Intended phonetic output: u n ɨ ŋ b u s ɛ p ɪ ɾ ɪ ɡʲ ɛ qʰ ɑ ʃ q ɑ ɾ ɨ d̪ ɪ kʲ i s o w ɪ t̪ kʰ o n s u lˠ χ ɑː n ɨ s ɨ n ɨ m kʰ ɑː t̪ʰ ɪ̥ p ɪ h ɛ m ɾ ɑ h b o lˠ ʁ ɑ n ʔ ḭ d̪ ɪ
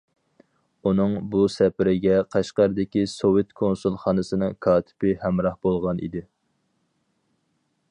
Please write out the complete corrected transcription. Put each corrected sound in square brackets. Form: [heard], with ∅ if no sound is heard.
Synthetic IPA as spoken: u n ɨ ŋ b u s ɛ p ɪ ɾ ɪ ɡʲ ɛ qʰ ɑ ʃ q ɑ ɾ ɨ d̪ ɪ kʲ i s o w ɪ t̪ kʰ o n s u lˠ χ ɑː n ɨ s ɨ n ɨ [ŋ] kʰ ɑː t̪ʰ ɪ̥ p ɪ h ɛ m ɾ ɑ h b o lˠ ʁ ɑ n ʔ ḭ d̪ ɪ